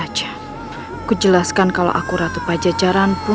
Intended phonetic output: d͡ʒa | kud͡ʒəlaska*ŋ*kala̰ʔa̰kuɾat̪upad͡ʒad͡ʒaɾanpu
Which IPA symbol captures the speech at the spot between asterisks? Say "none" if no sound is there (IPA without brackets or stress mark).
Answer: n